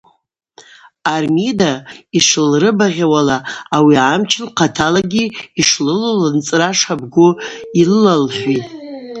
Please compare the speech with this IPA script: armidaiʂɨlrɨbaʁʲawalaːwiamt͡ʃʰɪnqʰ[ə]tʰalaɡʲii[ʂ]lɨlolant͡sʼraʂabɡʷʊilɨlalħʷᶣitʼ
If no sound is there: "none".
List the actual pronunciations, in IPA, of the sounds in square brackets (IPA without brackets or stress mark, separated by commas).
a, ʂ